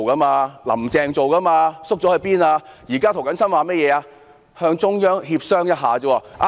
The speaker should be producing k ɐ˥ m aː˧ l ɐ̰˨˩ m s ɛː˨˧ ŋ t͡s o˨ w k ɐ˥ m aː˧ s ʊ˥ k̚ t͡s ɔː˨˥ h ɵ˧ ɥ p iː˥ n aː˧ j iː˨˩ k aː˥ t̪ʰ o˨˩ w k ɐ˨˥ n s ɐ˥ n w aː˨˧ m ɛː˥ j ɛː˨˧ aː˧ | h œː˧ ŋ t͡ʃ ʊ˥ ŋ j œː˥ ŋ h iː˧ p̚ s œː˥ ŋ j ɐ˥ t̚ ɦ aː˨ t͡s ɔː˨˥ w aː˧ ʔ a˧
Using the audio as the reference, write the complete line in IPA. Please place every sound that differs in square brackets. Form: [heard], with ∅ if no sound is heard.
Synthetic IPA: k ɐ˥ m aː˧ l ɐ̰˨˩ m [t͡s] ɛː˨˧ ŋ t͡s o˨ w k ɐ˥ m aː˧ s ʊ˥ k̚ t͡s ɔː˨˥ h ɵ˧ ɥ p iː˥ n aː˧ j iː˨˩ k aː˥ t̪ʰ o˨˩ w k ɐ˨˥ n s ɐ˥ n w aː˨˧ m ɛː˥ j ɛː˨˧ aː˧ | h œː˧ ŋ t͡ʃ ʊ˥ ŋ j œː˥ ŋ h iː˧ p̚ s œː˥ ŋ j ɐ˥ t̚ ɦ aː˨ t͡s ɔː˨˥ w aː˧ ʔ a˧